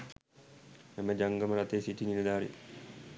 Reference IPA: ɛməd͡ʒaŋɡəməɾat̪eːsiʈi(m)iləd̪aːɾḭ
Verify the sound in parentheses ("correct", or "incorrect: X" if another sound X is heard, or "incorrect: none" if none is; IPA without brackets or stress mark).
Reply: incorrect: n